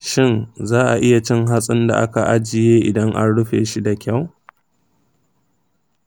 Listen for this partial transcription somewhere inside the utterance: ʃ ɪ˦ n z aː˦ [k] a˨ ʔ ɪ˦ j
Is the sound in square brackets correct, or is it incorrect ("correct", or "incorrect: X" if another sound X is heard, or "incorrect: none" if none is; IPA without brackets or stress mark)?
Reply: incorrect: ʔ